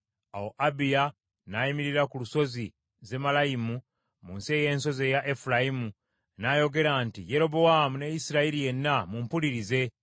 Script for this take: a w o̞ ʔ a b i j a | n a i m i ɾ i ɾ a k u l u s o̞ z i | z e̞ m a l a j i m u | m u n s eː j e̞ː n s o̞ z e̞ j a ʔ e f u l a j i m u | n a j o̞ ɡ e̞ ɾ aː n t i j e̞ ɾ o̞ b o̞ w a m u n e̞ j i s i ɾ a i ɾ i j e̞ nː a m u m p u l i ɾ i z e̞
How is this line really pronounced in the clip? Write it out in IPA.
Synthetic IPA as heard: a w o̞ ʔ a b i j a | n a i m i ɾ i ɾ a k u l u s o̞ z i | z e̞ m a l a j i m u | m u n s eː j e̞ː n s o̞ z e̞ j a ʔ e f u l a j i m u | n a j o̞ ɡ e̞ ɾ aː n t i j e̞ ɾ o̞ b o̞ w a m u n e̞ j i s i ɾ a i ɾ i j e̞ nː a m u m p u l i ɾ i z e̞